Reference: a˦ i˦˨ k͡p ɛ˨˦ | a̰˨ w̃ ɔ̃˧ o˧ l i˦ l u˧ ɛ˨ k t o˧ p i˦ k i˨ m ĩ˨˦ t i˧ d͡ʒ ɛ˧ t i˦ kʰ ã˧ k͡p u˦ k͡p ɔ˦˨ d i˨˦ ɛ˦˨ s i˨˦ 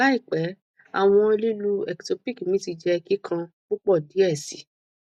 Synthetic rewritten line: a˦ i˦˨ k͡p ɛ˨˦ | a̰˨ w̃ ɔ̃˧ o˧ l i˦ l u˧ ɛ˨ k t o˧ p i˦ k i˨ m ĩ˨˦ t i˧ d͡ʒ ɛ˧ k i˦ kʰ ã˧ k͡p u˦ k͡p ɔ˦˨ d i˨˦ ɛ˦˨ s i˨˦